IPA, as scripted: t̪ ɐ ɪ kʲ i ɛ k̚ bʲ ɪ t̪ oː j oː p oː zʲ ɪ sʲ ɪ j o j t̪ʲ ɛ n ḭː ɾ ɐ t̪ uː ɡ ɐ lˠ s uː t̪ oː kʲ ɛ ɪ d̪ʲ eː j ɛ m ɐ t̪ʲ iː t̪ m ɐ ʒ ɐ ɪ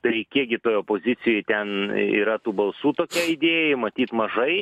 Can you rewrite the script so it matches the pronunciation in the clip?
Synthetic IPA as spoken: t̪ ɐ ɪ kʲ i ɛ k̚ ɡʲ ɪ t̪ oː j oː p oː zʲ ɪ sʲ ɪ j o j t̪ʲ ɛ n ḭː ɾ ɐ t̪ uː b ɐ lˠ s uː t̪ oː kʲ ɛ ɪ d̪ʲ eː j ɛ m ɐ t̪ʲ iː t̪ m ɐ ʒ ɐ ɪ